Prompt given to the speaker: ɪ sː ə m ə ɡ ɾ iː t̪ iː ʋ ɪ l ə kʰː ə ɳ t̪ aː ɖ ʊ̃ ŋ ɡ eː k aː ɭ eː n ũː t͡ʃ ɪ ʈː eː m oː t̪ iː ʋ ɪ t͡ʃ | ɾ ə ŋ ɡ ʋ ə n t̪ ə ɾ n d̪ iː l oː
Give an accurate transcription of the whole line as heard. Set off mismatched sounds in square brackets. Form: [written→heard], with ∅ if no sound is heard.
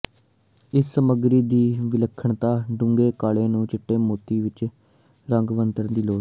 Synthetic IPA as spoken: ɪ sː ə m ə ɡ ɾ iː [t̪→d̪] iː ʋ ɪ l ə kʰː ə ɳ t̪ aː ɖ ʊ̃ ŋ ɡ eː k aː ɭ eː n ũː t͡ʃ ɪ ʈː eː m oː t̪ iː ʋ ɪ t͡ʃ | ɾ ə ŋ ɡ ʋ ə n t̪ ə ɾ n d̪ iː l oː